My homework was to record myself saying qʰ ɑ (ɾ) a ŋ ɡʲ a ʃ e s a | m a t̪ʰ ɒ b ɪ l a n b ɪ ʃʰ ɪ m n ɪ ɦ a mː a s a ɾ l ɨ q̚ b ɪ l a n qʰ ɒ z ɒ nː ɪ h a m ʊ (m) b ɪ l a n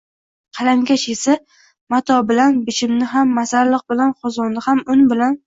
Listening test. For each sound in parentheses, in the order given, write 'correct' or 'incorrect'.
incorrect: l, incorrect: n

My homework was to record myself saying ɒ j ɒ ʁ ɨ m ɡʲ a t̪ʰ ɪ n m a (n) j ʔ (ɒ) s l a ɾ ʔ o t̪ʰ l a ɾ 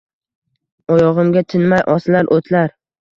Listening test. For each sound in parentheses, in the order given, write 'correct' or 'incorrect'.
incorrect: none, correct

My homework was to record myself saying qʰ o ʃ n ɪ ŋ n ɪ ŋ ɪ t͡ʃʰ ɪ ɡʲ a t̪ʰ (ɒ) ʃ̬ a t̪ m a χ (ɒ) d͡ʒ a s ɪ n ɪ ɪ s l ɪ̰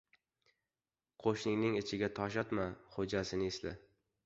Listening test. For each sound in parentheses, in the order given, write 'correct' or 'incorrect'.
correct, incorrect: o

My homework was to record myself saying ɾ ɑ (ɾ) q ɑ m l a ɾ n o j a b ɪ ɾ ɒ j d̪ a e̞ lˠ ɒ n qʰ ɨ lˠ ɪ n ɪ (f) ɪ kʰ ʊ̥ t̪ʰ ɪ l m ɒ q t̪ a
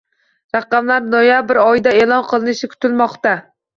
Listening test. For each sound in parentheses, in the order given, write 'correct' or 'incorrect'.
incorrect: none, incorrect: ʃ

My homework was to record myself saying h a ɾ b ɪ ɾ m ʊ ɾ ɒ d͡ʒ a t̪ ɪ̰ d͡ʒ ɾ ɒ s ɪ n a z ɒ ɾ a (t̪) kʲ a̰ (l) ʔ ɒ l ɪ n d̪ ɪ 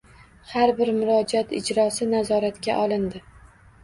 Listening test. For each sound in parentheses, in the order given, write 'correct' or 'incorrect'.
correct, incorrect: none

